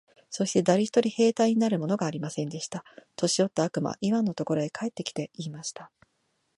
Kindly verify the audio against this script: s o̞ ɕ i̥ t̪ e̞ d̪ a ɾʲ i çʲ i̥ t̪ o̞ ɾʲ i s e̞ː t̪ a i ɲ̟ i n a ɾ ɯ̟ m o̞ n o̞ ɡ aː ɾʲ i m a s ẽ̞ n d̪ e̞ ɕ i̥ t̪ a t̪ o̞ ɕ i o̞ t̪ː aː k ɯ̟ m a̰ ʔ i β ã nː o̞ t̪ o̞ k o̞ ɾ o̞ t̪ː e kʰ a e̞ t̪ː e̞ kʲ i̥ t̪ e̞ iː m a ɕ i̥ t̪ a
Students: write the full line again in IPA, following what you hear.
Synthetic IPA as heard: s o̞ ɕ i̥ t̪ e̞ d̪ a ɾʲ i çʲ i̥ t̪ o̞ ɾʲ i h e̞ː t̪ a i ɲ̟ i n a ɾ ɯ̟ m o̞ n o̞ ɡ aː ɾʲ i m a s ẽ̞ n d̪ e̞ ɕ i̥ t̪ a t̪ o̞ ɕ i o̞ t̪ː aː k ɯ̟ m a̰ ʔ i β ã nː o̞ t̪ o̞ k o̞ ɾ o̞ e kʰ a e̞ t̪ː e̞ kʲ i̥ t̪ e̞ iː m a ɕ i̥ t̪ a

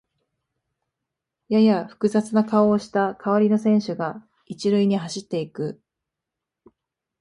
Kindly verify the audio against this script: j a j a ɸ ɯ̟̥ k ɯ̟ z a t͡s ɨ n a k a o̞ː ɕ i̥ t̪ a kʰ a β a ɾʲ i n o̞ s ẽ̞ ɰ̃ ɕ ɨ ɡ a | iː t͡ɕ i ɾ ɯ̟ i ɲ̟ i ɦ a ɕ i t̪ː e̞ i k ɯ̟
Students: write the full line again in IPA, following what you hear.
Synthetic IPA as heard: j a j a ɸ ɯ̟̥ k ɯ̟ z a t͡s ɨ n a k a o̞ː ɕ i̥ t̪ a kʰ a β a ɾʲ i n o̞ s ẽ̞ ɰ̃ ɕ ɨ ɡ a | i t͡ɕ i ɾ ɯ̟ i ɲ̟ i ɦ a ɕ i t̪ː e̞ i k ɯ̟

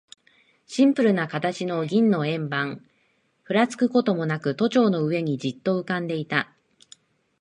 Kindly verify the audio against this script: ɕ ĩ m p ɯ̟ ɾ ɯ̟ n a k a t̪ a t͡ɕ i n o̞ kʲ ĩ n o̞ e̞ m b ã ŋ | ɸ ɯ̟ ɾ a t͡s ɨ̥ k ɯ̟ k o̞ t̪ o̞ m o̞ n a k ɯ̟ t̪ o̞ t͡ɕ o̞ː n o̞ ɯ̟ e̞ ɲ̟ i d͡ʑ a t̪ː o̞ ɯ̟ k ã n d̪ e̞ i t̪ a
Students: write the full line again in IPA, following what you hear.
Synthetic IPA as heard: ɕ ĩ m p ɯ̟ ɾ ɯ̟ n a k a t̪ a t͡ɕ i n o̞ ɡʲ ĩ nː o̞ ẽ̞ m b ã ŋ | ɸ ɯ̟ ɾ a t͡s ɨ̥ k ɯ̟ k o̞ t̪ o̞ m o̞ n a k ɯ̟ t̪ o̞ t͡ɕ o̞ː n o̞ ɯ̟ e̞ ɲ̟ i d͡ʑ i t̪ː o̞ ɯ̟ k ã n d̪ e̞ i t̪ a

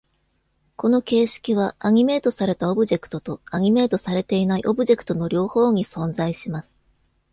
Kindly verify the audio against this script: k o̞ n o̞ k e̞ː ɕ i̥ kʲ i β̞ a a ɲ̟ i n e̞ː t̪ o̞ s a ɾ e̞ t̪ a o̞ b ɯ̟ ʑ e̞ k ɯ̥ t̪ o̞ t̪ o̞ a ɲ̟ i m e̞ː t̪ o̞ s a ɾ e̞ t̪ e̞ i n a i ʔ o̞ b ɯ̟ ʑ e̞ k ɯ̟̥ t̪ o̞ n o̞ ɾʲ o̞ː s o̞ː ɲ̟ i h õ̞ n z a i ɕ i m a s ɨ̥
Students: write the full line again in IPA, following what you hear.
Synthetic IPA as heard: k o̞ n o̞ k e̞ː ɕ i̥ kʲ i β̞ a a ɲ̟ i m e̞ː t̪ o̞ s a ɾ e̞ t̪ a o̞ b ɯ̟ ʑ e̞ k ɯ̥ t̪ o̞ t̪ o̞ a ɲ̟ i m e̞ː t̪ o̞ s a ɾ e̞ t̪ e̞ i n a i ʔ o̞ b ɯ̟ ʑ e̞ k ɯ̟̥ t̪ o̞ n o̞ ɾʲ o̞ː h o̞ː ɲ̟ i s õ̞ n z a i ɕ i m a s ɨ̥

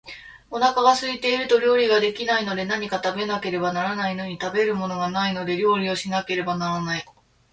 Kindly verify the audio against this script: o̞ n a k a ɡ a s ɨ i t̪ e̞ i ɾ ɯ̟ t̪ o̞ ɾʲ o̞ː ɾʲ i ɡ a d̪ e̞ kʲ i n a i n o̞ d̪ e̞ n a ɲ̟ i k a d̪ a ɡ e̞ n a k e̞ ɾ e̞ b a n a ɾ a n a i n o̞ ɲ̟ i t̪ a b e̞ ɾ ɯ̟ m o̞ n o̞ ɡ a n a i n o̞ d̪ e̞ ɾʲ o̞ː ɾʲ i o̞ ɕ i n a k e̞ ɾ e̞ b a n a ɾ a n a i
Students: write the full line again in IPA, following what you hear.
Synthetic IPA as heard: o̞ n a k a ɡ a s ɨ i t̪ e̞ i ɾ ɯ̟ t̪ o̞ ɾʲ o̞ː ɾʲ i ɡ a d̪ e̞ kʲ i n a i n o̞ d̪ e̞ n a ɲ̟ i k a t̪ a b e̞ n a k e̞ ɾ e̞ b a n a ɾ a n a i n o̞ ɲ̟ i t̪ a b e̞ ɾ ɯ̟ m o̞ n o̞ ɡ a n a i n o̞ d̪ e̞ ɾʲ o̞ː ɾʲ i o̞ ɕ i n a k e̞ ɾ e̞ b a n a ɾ a n a i

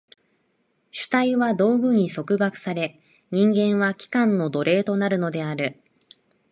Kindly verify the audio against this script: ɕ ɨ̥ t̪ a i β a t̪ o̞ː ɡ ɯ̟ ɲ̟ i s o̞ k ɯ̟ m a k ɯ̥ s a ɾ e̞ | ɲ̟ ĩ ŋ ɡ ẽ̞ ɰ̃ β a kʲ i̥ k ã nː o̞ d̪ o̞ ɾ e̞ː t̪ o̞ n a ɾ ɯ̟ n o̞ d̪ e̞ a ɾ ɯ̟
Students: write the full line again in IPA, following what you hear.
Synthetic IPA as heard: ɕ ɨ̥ t̪ a i β a d̪ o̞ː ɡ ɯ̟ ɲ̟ i s o̞ k ɯ̟ b a k ɯ̥ s a ɾ e̞ | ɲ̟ ĩ ŋ ɡ ẽ̞ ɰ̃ β a kʲ i̥ k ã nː o̞ d̪ o̞ ɾ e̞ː t̪ o̞ n a ɾ ɯ̟ n o̞ d̪ e̞ a ɾ ɯ̟

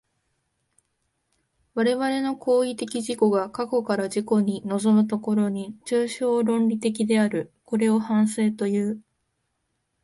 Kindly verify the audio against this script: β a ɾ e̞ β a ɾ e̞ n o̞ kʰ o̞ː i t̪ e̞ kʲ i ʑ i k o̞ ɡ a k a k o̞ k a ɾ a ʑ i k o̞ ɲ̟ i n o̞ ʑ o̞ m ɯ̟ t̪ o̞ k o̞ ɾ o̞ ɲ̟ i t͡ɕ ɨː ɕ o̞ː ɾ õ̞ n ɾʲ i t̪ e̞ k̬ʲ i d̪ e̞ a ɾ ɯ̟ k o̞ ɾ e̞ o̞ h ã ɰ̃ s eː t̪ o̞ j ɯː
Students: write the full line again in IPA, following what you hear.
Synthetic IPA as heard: β a ɾ e̞ β a ɾ e̞ n o̞ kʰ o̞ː i t̪ e̞ kʲ i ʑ i k o̞ ɡ a k a k o̞ k a ɾ a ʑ i k o̞ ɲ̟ i n o̞ z o̞ m ɯ̟ t̪ o̞ k o̞ ɾ o̞ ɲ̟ i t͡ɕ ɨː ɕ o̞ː ɾ õ̞ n ɾʲ i t̪ e̞ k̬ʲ i d̪ e̞ a ɾ ɯ̟ k o̞ ɾ e̞ o̞ h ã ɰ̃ s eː t̪ o̞ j ɯː

